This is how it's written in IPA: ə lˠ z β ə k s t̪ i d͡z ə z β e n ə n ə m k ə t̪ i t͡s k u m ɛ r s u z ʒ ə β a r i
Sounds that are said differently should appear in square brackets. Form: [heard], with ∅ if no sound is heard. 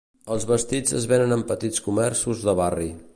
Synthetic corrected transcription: ə lˠ z β ə [∅] s t̪ i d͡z ə z β e n ə n ə m [p] ə t̪ i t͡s k u m ɛ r s u z [ð] ə β a r i